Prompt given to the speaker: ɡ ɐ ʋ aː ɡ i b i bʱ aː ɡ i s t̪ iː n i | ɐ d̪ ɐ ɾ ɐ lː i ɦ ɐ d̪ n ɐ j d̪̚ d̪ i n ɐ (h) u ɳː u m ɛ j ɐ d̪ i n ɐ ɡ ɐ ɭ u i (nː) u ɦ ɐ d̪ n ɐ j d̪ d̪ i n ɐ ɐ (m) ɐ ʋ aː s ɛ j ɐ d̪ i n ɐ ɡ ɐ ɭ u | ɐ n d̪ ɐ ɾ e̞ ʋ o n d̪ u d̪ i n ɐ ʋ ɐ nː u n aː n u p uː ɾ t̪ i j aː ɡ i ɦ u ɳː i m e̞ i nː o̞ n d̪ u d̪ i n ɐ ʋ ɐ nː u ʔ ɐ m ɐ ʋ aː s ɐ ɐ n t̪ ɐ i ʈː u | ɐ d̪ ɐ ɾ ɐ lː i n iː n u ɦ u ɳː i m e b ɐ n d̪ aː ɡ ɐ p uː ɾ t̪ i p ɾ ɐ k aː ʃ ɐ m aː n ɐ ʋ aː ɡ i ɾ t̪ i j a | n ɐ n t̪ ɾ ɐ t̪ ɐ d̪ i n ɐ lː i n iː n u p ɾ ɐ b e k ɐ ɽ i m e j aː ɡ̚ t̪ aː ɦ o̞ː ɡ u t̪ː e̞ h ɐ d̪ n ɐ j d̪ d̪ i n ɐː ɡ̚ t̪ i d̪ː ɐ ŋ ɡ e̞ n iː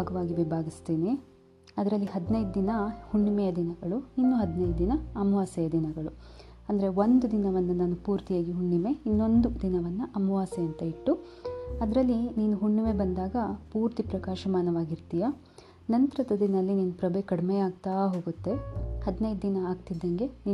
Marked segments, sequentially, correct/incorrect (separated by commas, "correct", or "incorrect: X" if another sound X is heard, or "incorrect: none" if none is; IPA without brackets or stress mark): correct, correct, correct